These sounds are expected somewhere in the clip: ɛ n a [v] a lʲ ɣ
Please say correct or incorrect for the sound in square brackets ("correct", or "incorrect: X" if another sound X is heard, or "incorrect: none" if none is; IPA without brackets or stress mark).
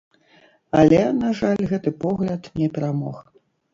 incorrect: ʐ